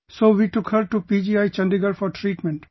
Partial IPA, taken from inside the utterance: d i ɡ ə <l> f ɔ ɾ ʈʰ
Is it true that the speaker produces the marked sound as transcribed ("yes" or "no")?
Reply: no